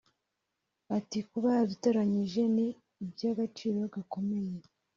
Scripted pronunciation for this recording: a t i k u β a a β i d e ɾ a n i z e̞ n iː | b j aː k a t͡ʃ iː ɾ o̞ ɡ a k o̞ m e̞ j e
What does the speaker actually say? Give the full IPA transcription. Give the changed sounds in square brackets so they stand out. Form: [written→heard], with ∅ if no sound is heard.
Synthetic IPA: a t i k u β a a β i [d→t] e ɾ a [n→ɲ] i [z→ʒ] e̞ n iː | b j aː [k→ɡ] a t͡ʃ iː ɾ o̞ ɡ a k o̞ m e̞ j e